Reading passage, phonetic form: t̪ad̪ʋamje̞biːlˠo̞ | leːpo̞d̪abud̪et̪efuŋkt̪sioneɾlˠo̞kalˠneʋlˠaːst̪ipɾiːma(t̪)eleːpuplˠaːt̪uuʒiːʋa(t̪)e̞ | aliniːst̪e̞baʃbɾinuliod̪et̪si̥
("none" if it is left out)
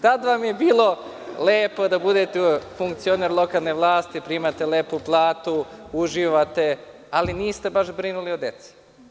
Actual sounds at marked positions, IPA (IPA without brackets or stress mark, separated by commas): t̪, t̪